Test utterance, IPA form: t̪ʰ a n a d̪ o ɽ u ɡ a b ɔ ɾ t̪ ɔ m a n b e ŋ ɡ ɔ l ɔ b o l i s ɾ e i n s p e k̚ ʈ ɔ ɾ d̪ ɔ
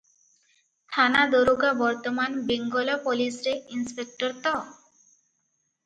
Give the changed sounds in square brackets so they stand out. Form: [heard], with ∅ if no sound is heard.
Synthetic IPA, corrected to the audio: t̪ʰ a n a d̪ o [ɾ] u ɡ a b ɔ ɾ t̪ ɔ m a n b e ŋ ɡ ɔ l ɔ [p] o l i s ɾ e i n s p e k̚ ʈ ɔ ɾ [t̪] ɔ